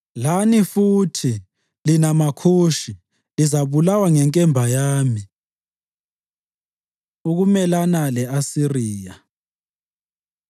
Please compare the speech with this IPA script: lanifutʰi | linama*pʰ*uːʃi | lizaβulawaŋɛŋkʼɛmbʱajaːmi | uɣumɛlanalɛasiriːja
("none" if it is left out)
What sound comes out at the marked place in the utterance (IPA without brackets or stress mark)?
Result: kʰ